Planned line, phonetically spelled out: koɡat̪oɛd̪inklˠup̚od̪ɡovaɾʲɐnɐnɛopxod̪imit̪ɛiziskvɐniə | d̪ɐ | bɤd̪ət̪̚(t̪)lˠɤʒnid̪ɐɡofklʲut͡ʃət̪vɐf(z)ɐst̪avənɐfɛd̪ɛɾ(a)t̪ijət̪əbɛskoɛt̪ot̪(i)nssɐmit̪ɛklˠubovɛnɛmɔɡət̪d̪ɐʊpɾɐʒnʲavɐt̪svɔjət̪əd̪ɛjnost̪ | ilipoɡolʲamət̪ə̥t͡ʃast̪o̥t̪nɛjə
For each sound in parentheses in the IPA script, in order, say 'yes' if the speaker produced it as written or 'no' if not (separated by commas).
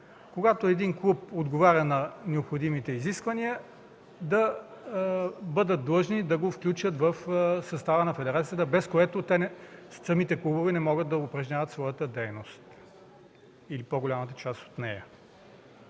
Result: no, no, yes, no